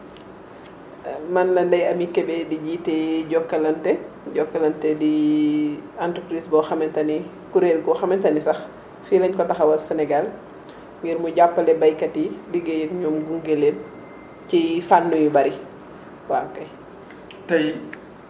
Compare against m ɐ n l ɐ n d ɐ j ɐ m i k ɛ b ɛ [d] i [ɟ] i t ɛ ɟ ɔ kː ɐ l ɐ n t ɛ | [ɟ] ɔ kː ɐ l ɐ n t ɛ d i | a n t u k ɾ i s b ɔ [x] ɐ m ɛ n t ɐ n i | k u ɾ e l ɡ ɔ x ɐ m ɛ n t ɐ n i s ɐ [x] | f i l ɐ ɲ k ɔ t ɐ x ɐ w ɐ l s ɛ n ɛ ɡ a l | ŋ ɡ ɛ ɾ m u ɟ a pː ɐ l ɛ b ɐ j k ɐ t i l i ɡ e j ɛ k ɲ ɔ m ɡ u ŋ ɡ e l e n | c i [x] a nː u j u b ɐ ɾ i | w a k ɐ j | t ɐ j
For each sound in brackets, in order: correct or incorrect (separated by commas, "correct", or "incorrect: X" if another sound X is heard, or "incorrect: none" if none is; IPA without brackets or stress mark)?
correct, correct, correct, correct, correct, incorrect: f